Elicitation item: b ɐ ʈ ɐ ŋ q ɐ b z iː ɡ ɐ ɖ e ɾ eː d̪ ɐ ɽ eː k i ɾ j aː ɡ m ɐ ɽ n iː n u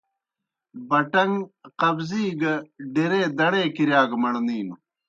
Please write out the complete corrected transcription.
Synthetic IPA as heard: b ɐ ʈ ɐ ŋ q ɐ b z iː ɡ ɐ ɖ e ɾ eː d̪ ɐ ɽ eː k i ɾ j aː ɡ m ɐ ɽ n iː n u